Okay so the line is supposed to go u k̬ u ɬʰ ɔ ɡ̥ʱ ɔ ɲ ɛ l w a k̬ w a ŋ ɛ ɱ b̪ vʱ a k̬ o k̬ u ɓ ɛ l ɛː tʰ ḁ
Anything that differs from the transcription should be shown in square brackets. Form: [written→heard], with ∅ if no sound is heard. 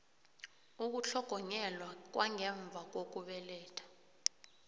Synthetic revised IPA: u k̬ u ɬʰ ɔ ɡ̥ʱ ɔ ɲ ɛ l w a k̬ w a ŋ ɛ ɱ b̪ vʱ a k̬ o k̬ u ɓ ɛ l ɛː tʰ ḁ